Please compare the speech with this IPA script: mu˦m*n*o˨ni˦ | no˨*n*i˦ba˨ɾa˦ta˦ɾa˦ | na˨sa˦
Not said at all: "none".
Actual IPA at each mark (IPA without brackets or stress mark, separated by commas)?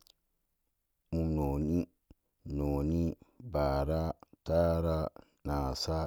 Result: n, n